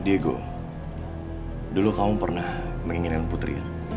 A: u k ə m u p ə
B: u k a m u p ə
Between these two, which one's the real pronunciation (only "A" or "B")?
B